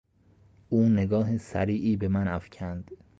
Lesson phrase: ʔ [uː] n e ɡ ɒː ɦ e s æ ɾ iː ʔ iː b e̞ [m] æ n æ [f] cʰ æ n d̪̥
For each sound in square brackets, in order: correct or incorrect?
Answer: correct, correct, correct

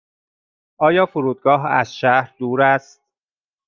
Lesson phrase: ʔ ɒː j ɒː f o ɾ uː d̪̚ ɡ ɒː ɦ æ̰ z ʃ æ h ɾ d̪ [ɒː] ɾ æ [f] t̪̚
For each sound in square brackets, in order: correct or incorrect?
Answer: incorrect, incorrect

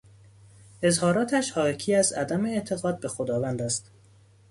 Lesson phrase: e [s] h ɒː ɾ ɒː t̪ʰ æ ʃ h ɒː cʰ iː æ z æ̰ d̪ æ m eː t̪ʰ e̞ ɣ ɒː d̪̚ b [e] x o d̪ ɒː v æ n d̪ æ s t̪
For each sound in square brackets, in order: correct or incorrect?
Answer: incorrect, correct

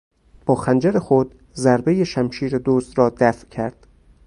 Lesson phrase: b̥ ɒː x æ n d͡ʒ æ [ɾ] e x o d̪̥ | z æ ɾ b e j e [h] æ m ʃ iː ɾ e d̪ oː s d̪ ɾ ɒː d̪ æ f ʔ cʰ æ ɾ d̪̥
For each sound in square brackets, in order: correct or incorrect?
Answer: correct, incorrect

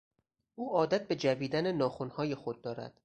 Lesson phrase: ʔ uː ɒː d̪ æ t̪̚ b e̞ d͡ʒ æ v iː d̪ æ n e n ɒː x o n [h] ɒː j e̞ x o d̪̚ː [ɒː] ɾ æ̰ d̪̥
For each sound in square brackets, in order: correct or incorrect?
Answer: correct, correct

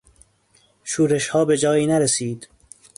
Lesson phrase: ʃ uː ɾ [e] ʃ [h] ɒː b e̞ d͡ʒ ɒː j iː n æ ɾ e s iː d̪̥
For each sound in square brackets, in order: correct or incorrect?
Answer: correct, correct

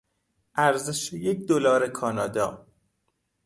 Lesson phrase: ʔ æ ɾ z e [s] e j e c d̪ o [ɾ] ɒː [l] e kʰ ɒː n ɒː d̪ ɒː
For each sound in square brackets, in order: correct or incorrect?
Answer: incorrect, incorrect, incorrect

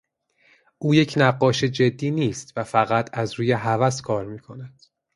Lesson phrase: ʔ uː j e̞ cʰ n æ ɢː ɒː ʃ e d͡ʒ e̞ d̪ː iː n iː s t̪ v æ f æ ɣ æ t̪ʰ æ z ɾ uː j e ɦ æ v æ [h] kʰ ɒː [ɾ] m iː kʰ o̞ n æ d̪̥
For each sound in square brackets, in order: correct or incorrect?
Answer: incorrect, correct

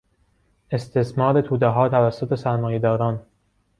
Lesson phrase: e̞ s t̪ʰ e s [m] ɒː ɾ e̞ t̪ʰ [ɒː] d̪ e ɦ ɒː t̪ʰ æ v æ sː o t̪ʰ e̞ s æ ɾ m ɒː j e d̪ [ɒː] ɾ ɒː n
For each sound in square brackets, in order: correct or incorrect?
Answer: correct, incorrect, correct

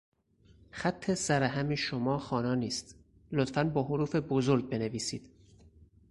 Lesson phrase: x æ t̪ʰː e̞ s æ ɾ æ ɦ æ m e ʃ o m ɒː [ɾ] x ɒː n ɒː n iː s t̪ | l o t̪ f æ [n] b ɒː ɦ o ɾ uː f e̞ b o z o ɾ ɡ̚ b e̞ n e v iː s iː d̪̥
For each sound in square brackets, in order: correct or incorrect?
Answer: incorrect, correct

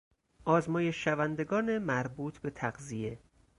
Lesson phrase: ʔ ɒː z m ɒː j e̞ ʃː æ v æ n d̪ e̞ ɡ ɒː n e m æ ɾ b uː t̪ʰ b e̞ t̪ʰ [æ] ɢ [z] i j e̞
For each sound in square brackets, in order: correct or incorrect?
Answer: correct, correct

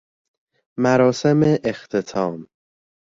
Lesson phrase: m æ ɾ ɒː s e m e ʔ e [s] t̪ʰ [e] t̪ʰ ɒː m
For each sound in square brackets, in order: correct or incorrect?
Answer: incorrect, correct

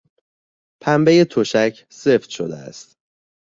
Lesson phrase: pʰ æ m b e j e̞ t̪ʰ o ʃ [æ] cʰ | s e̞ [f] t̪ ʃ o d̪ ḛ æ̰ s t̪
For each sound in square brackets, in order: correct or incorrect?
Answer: correct, correct

